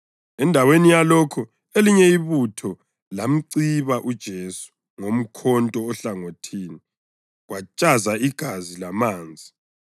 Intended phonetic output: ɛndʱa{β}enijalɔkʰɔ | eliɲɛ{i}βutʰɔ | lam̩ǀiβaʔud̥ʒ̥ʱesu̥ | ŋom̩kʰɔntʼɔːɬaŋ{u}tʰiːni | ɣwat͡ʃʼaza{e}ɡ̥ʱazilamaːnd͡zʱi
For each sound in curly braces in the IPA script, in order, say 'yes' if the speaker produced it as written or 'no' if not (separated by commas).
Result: no, yes, no, no